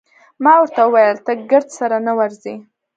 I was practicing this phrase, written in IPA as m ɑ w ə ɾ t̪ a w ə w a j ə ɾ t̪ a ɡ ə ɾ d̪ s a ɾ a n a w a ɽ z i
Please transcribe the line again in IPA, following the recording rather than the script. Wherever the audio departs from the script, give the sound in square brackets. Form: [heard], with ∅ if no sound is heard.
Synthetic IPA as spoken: m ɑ w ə ɾ t̪ a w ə w a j ə [l] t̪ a ɡ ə ɾ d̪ s a ɾ a n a w a [ɾ] z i